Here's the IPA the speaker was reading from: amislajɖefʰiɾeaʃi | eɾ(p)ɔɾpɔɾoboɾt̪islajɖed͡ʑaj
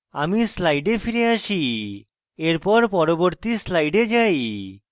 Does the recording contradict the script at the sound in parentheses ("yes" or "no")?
no